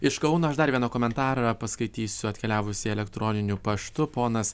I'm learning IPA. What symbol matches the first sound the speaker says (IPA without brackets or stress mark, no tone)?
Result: ɪ